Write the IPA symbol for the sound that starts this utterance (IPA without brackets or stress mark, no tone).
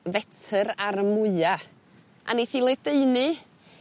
v